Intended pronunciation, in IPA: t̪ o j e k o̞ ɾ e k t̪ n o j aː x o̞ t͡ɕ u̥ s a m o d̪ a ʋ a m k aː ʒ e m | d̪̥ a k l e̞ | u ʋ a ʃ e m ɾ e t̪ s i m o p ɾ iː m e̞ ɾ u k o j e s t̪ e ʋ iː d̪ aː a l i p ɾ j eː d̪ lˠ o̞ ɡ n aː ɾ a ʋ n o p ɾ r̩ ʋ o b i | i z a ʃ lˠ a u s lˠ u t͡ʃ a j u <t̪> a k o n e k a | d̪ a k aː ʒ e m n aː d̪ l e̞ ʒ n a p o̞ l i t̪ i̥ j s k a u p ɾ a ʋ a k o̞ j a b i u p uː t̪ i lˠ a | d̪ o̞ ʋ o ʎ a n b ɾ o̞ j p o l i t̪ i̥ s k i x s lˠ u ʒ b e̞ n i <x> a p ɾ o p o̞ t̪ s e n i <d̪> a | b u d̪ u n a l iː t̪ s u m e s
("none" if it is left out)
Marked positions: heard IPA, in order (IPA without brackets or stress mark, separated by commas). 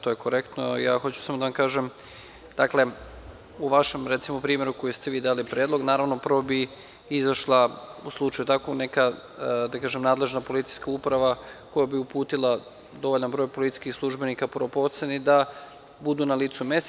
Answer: t̪, k, d̪